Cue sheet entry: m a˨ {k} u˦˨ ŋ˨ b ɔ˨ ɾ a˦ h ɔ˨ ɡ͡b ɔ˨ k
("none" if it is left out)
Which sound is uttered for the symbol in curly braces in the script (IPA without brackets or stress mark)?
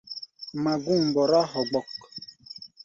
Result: ɡ